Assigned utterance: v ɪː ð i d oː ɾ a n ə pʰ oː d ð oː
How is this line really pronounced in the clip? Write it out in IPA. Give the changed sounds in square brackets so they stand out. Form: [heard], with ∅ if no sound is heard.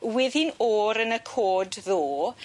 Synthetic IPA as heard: [w] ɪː ð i [n] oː ɾ [ə] n ə [kʰ] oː d ð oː

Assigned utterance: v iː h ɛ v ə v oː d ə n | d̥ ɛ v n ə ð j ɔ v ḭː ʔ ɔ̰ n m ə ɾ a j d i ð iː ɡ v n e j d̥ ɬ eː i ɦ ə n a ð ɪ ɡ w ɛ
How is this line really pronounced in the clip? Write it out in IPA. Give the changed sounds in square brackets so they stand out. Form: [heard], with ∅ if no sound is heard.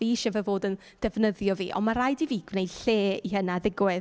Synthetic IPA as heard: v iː [ʃ] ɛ v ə v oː d ə n | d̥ ɛ v n ə ð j ɔ v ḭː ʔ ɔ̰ n m [a] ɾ a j d i [v] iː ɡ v n e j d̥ ɬ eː i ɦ ə n a ð ɪ ɡ w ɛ

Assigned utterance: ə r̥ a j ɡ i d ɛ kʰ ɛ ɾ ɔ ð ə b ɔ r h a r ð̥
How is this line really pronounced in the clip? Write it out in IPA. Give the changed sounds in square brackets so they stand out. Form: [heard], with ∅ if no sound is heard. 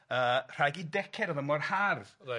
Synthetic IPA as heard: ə r̥ a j ɡ i d ɛ kʰ ɛ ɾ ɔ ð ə [m] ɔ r h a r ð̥

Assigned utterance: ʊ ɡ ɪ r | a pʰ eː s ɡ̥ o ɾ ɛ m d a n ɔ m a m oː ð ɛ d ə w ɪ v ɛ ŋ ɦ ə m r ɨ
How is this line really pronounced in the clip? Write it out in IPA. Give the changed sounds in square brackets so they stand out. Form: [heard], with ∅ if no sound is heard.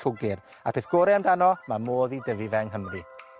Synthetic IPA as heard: ʊ ɡ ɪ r | a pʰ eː [θ] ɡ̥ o ɾ ɛ m d a n ɔ m a m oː ð [i] d ə [v] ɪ v ɛ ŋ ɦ ə m r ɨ

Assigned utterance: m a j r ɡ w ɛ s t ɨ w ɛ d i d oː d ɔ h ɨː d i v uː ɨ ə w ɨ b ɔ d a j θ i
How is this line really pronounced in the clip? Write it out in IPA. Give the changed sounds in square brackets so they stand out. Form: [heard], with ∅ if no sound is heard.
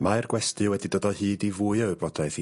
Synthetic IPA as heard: m a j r ɡ w ɛ s t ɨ w ɛ d i d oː d ɔ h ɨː d i v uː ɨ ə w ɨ b ɔ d a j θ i

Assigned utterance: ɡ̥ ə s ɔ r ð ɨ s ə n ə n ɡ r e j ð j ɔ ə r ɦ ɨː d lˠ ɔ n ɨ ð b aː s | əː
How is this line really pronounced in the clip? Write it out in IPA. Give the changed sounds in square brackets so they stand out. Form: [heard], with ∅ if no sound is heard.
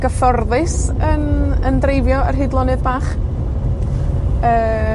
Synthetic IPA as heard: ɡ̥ ə [f] ɔ r ð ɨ s ə n ə n [d] r e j [v] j ɔ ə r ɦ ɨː d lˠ ɔ n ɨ ð b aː [χ] | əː

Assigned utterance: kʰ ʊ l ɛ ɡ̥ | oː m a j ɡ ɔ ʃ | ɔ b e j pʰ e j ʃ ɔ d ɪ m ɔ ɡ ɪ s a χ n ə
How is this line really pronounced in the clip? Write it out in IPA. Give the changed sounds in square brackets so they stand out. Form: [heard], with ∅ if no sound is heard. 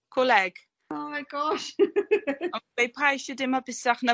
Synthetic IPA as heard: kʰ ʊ l ɛ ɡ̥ | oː m a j ɡ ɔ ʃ | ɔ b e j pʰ [a] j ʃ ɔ d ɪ m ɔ [b] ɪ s a χ n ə

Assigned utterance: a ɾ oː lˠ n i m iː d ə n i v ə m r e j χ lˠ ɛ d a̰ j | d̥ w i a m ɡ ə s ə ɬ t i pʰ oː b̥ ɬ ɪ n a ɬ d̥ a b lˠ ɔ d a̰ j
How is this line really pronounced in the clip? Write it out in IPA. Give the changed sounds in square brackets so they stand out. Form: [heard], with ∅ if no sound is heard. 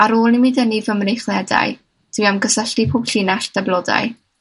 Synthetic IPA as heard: a ɾ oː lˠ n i m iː d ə n i v ə m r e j χ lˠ ɛ d a̰ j | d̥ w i a m ɡ ə s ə ɬ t i pʰ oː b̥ ɬ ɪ n a ɬ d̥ a b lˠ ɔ d a̰ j

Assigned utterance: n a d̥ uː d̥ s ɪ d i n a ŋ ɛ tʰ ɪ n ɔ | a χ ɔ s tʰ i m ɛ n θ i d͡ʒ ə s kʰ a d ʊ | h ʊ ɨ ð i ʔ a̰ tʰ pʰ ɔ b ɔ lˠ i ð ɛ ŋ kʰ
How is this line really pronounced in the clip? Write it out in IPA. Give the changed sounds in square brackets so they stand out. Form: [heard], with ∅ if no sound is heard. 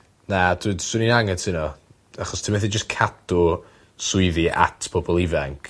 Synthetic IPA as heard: n a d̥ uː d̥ s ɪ [n] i n a ŋ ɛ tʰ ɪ n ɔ | a χ ɔ s tʰ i m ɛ [∅] θ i d͡ʒ ə s kʰ a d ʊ | [s] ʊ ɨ ð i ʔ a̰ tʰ pʰ ɔ b ɔ lˠ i [v] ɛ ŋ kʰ

